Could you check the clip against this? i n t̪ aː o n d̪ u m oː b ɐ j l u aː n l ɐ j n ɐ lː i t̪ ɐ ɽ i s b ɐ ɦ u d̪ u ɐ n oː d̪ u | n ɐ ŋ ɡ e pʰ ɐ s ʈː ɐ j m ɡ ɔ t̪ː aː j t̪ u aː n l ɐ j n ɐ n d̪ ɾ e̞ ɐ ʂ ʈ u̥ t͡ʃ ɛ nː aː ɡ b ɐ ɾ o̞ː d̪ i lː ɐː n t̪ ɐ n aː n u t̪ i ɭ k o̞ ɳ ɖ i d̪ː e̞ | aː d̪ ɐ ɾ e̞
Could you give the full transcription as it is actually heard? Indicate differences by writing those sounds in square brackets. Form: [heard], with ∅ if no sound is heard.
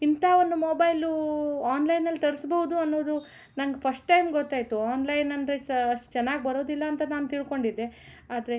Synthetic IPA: i n t̪ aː o n d̪ u m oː b ɐ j l u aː n l ɐ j n ɐ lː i t̪ ɐ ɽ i s b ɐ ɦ u d̪ u ɐ [nː] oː d̪ u | n ɐ ŋ ɡ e pʰ ɐ s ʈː ɐ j m ɡ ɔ t̪ː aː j t̪ u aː n l ɐ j n ɐ n d̪ ɾ e̞ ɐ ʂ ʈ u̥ t͡ʃ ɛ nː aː ɡ b ɐ ɾ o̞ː d̪ i lː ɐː n t̪ ɐ n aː n u t̪ i ɭ k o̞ ɳ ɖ i d̪ː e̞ | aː d̪ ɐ ɾ e̞